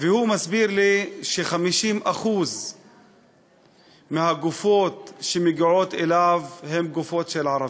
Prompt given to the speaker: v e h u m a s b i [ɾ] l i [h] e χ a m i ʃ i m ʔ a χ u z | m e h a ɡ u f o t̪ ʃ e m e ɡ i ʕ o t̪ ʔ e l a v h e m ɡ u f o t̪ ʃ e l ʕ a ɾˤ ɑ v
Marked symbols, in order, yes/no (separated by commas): yes, no